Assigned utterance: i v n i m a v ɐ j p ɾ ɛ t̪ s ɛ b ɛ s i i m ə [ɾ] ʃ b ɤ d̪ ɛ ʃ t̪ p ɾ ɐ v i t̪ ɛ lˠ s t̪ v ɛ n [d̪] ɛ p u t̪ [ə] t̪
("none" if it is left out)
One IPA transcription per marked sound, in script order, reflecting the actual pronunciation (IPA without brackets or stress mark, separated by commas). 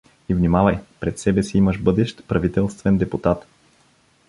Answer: none, d̪, a